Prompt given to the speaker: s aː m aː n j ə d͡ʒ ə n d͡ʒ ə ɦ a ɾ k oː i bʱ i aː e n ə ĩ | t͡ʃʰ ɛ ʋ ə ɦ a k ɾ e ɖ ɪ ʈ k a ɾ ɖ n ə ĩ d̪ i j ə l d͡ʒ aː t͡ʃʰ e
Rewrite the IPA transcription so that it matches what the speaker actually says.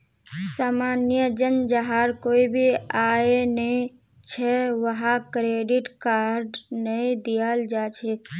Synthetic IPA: s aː m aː n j ə d͡ʒ ə n d͡ʒ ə ɦ a ɾ k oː i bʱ i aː e n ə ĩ | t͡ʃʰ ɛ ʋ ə ɦ a k ɾ e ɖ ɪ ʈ k a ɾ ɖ n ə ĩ d̪ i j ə l d͡ʒ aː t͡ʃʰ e